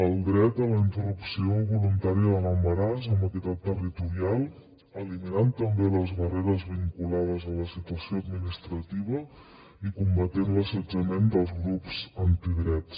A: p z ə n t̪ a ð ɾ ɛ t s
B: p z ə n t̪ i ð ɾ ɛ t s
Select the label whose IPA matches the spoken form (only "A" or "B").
B